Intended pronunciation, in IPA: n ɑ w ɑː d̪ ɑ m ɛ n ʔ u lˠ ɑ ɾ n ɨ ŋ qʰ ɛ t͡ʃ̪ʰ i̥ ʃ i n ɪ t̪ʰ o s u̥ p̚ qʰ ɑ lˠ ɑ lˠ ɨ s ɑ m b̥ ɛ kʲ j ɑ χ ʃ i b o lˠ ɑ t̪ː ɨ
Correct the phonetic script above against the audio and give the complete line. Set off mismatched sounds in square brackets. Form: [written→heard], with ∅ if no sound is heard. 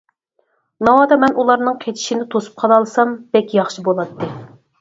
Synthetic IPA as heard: n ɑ w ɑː d̪ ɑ m ɛ n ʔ u lˠ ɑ ɾ n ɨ ŋ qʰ [ɛ→e] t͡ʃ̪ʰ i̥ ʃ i n ɪ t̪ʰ o s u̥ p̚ qʰ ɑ lˠ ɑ lˠ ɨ s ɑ m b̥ ɛ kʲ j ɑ χ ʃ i b o lˠ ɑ t̪ː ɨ